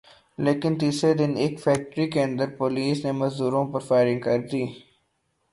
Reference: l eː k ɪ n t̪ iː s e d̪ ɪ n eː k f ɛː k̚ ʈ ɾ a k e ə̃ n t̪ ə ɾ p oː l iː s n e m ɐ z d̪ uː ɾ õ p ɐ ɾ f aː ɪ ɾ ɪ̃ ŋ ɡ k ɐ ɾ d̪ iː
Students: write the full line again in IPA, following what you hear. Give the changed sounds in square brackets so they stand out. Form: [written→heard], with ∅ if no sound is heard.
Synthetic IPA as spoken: l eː k ɪ n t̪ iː s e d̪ ɪ n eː k f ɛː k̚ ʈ ɾ [a→i] k e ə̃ n [t̪→d̪] ə ɾ p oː l iː s n e m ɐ z d̪ uː ɾ õ p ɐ ɾ f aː ɪ ɾ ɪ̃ ŋ ɡ k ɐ ɾ d̪ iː